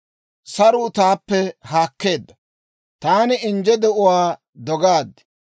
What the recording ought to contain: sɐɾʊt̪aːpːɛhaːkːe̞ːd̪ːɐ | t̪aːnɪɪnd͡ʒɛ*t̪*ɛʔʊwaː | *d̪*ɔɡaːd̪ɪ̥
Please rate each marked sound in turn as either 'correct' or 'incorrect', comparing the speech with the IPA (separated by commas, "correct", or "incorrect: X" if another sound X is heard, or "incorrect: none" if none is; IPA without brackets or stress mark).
incorrect: d̪, correct